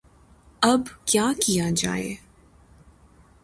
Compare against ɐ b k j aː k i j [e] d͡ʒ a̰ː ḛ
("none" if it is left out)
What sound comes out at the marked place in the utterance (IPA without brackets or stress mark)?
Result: a